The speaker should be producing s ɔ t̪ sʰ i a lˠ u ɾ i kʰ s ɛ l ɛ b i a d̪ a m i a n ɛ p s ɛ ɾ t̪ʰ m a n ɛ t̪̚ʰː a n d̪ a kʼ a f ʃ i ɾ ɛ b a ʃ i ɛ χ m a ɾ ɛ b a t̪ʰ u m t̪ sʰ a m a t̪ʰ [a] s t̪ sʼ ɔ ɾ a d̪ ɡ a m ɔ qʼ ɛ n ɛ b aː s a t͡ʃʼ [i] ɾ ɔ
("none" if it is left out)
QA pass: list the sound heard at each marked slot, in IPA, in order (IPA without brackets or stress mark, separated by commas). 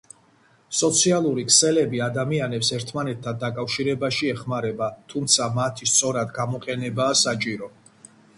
i, i